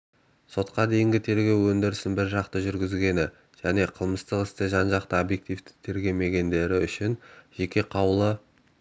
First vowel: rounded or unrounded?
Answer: rounded